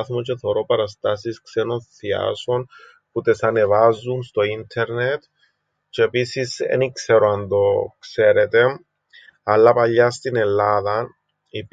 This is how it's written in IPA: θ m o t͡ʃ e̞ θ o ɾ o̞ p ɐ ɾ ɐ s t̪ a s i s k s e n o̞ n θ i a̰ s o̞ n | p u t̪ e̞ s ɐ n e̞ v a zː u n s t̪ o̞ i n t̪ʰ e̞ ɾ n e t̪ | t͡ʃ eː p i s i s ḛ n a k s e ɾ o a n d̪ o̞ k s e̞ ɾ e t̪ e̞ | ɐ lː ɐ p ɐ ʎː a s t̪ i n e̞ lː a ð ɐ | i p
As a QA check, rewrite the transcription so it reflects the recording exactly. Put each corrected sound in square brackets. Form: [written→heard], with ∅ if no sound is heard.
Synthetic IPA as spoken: θ m o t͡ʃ e̞ θ o ɾ o̞ p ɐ ɾ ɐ s t̪ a s i s k s e n o̞ n θ i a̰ s o̞ n | p u t̪ e̞ s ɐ n e̞ v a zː u n s t̪ o̞ i n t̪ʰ e̞ ɾ n e t̪ | t͡ʃ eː p i s i s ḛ n [a→i] k s e ɾ o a n d̪ o̞ k s e̞ ɾ e t̪ e̞ | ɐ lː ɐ p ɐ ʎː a s t̪ i n e̞ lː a ð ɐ | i p